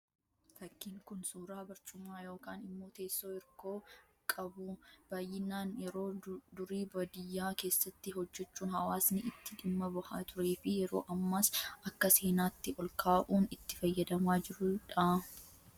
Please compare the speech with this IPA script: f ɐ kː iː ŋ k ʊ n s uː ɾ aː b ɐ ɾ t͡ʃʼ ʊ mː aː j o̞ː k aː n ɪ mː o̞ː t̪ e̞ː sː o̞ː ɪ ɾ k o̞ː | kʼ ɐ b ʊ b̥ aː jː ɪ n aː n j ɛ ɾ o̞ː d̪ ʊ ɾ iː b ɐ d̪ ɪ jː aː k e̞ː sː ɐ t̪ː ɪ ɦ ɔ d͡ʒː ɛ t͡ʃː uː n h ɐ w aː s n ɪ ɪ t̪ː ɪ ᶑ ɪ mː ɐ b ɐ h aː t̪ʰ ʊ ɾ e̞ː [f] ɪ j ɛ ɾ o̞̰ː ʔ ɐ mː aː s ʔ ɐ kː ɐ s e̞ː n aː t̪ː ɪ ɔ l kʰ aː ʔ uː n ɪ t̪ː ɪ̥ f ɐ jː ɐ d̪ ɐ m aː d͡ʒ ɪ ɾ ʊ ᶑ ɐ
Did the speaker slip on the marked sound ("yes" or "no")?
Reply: no